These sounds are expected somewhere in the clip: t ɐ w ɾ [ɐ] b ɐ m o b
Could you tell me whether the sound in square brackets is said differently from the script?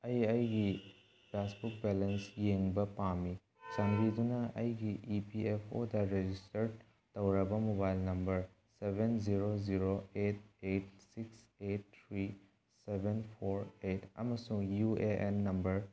no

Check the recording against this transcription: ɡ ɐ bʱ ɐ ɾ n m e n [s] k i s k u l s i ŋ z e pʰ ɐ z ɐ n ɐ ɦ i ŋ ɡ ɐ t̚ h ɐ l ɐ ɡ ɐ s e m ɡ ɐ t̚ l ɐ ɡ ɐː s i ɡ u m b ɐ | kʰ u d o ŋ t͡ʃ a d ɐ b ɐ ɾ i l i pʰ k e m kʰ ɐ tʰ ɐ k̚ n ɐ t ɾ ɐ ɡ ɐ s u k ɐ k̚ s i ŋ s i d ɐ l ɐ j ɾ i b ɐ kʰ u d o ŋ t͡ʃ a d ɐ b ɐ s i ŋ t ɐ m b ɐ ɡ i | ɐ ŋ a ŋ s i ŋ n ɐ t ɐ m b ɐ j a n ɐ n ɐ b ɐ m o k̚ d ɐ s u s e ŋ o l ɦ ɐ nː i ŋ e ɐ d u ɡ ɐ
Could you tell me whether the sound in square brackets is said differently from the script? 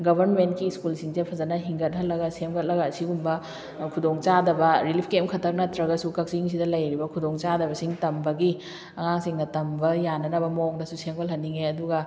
yes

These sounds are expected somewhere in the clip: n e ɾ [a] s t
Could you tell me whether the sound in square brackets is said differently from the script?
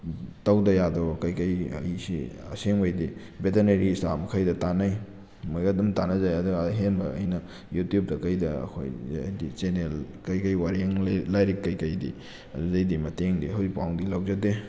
yes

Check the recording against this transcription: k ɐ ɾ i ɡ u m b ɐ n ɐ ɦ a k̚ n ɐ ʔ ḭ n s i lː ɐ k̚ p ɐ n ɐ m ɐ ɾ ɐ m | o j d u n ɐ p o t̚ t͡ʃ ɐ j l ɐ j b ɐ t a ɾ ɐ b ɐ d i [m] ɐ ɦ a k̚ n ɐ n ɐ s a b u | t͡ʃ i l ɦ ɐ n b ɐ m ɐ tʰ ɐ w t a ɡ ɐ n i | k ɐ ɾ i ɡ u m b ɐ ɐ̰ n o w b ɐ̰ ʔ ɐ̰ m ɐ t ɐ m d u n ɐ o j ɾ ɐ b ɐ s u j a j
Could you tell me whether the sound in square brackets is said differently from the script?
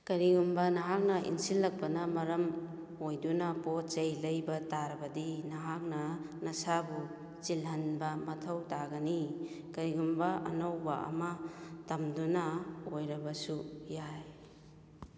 yes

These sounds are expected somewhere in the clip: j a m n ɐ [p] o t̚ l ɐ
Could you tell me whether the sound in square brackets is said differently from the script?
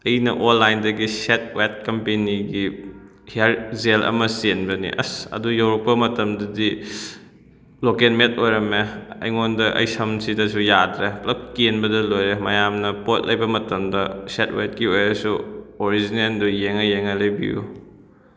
no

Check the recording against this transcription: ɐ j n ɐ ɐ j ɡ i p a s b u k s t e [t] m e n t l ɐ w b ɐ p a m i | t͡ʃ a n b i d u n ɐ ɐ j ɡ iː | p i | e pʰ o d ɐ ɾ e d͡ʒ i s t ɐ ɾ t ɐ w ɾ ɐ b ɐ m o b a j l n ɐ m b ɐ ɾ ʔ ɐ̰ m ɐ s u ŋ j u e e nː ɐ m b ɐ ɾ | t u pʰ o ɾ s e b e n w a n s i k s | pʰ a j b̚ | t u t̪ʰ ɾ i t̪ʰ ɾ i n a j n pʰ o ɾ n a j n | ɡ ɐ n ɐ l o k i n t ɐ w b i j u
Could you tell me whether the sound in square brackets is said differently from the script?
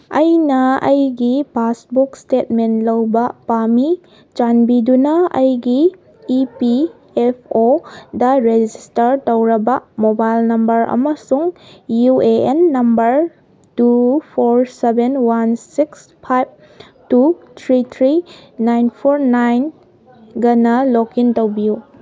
no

